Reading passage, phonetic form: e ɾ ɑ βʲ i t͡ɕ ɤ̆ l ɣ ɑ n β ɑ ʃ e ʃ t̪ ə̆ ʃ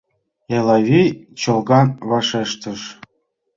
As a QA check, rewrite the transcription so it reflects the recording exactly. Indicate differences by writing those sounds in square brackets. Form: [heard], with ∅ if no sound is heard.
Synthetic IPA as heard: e [l] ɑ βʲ i t͡ɕ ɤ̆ l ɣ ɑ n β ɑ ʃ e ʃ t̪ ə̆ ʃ